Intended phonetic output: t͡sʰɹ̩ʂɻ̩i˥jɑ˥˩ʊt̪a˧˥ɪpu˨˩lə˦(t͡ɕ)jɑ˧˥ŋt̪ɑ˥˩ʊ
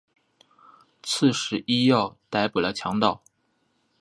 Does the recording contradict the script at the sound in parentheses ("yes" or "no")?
yes